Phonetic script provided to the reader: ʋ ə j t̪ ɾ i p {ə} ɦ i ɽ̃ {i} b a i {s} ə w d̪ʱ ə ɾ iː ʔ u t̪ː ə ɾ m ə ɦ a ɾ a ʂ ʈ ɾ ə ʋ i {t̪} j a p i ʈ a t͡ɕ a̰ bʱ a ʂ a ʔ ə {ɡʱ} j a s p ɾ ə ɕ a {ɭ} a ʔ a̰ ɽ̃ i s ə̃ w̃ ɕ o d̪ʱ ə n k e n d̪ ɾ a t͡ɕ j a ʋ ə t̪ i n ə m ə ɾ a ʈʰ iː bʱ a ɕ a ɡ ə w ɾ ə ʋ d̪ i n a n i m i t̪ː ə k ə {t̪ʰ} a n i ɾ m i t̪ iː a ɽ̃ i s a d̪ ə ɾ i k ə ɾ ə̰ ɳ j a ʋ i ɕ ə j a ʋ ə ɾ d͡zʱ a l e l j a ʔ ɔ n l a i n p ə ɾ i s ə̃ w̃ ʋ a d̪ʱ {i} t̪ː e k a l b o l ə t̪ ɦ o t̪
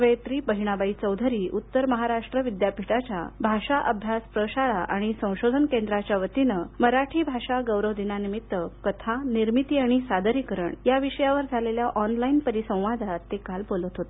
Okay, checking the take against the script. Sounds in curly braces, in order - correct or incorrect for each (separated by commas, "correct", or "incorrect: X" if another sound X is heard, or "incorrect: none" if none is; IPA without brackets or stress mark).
correct, incorrect: a, incorrect: t͡s, incorrect: d̪, incorrect: bʱ, correct, correct, incorrect: a